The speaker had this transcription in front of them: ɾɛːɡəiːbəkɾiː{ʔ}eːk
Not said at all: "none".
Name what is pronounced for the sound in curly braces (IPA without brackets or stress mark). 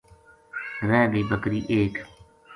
ʔ